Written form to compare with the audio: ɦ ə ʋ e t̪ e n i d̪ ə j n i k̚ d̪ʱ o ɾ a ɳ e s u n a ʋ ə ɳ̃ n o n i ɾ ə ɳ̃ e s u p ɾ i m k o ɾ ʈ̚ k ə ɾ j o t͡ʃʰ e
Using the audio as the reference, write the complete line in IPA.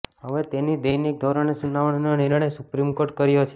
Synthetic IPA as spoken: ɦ ə ʋ e t̪ e n i d̪ ə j n i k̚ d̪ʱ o ɾ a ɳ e s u n a ʋ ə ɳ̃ n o n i ɾ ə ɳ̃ e s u p ɾ i m k o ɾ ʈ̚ k ə ɾ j o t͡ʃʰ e